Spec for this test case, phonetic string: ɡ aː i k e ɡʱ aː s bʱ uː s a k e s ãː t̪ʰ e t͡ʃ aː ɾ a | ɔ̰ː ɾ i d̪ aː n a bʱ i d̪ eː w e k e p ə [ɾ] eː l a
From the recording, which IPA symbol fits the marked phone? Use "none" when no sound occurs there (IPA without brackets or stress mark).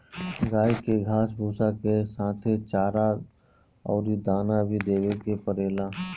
ɾ